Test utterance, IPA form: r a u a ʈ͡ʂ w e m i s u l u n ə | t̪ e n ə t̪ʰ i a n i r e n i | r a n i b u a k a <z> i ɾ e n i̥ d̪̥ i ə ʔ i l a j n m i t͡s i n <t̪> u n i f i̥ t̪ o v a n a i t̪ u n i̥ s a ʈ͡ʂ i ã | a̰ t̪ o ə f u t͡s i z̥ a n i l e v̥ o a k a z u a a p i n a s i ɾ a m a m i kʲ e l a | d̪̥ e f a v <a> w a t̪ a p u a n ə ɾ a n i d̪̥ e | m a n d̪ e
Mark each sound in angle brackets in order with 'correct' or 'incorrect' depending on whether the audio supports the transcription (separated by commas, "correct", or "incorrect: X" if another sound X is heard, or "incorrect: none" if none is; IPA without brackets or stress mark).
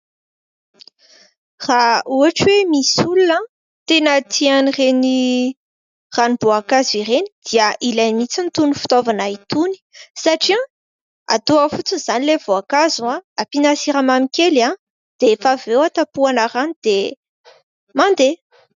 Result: correct, correct, incorrect: e